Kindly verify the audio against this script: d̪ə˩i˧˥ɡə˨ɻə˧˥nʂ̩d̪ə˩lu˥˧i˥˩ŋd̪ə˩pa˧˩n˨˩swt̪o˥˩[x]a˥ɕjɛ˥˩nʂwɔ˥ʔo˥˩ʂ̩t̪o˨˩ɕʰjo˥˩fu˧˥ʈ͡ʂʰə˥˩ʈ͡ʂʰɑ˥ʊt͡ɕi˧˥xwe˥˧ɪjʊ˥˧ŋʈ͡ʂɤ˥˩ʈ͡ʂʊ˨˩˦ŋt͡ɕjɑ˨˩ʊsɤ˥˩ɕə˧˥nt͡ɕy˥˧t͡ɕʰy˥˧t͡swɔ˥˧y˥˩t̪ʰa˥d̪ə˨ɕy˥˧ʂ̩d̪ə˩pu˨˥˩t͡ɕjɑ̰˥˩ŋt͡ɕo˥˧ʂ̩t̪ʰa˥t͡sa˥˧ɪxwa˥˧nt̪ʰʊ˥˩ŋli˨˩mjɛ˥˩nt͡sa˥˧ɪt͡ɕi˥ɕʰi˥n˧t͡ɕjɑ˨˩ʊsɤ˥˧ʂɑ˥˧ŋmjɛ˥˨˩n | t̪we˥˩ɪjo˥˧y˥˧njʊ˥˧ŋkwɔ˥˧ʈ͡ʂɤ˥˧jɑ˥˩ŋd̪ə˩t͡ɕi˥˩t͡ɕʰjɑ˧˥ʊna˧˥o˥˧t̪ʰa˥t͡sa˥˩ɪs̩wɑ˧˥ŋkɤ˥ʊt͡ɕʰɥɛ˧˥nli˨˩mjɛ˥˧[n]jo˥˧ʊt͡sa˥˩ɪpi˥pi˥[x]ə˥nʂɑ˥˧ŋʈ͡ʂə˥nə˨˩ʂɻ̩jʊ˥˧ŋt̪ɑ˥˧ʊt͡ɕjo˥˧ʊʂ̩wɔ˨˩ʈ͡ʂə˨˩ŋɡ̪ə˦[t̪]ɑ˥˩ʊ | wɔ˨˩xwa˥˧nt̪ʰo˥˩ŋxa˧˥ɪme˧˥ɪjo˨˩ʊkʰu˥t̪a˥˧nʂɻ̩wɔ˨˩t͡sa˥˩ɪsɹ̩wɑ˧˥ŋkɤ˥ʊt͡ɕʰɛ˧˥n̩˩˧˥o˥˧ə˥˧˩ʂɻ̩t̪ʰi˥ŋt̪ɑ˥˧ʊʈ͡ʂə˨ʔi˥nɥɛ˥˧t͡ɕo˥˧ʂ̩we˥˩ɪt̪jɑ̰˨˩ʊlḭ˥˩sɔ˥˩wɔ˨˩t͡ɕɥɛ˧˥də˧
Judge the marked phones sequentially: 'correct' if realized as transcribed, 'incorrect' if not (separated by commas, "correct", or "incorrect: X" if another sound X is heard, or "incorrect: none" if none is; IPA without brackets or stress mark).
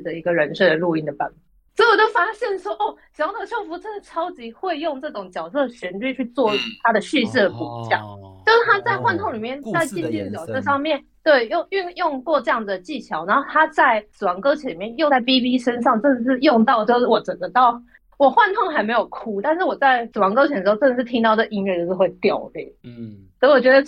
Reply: incorrect: f, correct, incorrect: ʂ, correct